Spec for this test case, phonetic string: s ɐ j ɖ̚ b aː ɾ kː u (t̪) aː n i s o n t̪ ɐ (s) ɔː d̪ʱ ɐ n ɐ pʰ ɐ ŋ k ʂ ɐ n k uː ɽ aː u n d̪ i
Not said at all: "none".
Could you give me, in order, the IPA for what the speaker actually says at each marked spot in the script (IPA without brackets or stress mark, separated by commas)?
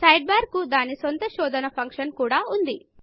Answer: d̪, ʃ